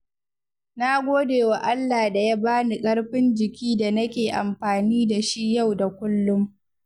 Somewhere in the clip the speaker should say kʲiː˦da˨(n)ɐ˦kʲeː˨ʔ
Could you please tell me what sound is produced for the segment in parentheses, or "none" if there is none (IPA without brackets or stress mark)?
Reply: n